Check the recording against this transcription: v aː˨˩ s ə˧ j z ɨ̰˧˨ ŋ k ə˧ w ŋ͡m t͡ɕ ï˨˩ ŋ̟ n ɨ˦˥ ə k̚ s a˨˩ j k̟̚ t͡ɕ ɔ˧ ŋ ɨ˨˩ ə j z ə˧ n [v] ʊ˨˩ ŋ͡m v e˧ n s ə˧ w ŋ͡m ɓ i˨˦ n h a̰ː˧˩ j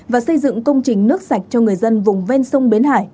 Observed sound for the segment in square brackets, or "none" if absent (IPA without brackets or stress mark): v